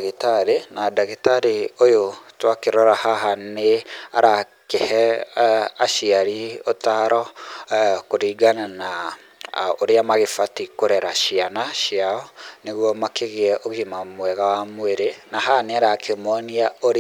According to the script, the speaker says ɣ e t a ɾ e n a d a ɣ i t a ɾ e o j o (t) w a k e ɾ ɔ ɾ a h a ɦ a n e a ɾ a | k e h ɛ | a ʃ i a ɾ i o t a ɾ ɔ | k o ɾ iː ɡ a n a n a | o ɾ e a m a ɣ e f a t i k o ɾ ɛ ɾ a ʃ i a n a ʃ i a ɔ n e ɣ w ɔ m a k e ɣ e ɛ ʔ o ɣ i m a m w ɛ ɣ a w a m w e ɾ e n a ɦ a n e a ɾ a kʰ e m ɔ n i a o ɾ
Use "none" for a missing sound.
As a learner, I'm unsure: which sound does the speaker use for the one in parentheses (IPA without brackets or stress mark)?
t